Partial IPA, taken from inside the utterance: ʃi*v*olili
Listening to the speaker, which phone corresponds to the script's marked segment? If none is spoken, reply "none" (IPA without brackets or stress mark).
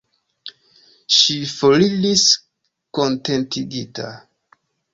f